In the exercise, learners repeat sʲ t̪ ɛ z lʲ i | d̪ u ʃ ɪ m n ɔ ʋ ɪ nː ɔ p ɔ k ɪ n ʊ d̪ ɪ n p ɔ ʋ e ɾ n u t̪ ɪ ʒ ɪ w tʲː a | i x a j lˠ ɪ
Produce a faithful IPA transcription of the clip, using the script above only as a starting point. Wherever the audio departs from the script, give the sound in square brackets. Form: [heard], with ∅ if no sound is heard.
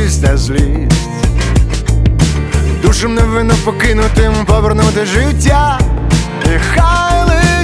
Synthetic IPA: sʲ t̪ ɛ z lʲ i | d̪ u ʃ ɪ m n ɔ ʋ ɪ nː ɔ p ɔ k ɪ n ʊ [t̪] ɪ [m] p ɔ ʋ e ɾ n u t̪ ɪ ʒ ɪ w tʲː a | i x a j lˠ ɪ